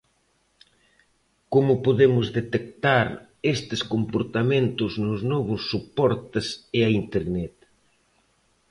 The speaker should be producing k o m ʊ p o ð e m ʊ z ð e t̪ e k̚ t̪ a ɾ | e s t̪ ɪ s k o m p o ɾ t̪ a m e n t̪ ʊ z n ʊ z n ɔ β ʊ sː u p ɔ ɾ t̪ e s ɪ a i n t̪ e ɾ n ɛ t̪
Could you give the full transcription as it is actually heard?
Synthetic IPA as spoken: k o m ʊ p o ð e m ʊ z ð e t̪ e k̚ t̪ a ɾ | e s t̪ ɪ s k o m p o ɾ t̪ a m e n t̪ ʊ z n ʊ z n ɔ β ʊ sː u p ɔ ɾ t̪ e s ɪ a i n t̪ e ɾ n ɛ t̪